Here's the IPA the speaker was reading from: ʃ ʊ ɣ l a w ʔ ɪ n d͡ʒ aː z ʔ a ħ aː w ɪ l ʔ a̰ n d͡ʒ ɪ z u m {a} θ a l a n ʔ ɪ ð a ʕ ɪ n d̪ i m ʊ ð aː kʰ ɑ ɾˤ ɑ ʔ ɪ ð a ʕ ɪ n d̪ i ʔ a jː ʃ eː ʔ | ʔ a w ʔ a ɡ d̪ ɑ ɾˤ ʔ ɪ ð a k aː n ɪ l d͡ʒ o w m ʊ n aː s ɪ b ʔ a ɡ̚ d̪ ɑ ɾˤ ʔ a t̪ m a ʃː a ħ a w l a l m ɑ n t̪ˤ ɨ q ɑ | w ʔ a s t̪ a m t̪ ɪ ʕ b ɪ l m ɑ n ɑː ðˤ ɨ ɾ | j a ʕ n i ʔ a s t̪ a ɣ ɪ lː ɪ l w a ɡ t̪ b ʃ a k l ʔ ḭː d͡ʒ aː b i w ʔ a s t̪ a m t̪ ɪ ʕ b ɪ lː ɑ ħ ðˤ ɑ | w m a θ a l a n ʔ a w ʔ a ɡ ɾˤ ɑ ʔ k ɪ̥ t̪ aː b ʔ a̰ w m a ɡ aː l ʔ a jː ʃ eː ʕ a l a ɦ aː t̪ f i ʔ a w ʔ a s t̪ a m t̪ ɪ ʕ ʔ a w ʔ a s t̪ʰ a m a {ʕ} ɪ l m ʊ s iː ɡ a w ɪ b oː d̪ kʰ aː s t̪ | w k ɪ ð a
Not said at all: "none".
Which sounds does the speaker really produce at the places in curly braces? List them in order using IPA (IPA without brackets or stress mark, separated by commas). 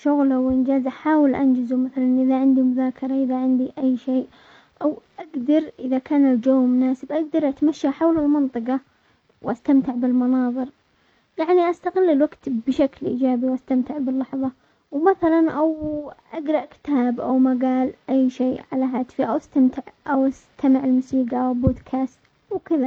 a, ʕ